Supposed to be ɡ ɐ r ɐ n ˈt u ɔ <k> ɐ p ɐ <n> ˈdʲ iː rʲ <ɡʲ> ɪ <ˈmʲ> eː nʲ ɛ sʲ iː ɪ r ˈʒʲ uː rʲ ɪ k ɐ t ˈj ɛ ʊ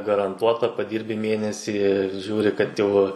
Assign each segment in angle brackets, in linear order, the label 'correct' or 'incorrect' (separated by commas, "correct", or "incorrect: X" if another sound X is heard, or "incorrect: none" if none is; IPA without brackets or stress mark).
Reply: incorrect: t, incorrect: none, incorrect: bʲ, correct